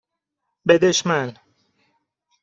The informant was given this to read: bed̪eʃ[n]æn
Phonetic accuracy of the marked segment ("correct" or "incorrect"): incorrect